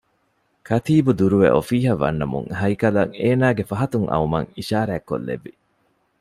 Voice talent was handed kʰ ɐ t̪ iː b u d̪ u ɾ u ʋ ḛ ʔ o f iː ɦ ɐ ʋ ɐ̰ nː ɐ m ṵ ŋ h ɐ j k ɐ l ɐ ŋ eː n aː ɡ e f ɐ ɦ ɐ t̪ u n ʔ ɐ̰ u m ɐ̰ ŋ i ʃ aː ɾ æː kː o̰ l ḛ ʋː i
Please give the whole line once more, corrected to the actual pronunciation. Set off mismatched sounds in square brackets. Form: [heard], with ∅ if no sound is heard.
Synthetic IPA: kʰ ɐ t̪ iː b u d̪ u ɾ u ʋ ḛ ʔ o f iː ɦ ɐ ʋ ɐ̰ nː ɐ m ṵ ŋ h ɐ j k ɐ l ɐ ŋ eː n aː ɡ e f ɐ ɦ ɐ t̪ u [ŋ] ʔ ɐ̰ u m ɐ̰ ŋ i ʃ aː ɾ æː kː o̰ [lː] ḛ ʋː i